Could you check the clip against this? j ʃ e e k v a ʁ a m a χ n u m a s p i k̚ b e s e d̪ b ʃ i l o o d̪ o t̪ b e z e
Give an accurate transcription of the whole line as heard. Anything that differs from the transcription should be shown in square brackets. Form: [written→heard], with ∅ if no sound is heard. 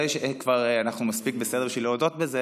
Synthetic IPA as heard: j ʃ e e k v a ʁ a [m→n] a χ n u m a s p i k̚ b e s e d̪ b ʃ i l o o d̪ o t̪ b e z e